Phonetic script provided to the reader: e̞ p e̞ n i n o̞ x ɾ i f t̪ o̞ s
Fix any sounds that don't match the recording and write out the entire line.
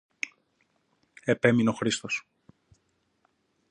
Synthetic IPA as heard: e̞ p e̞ m i n o̞ x ɾ i s t̪ o̞ s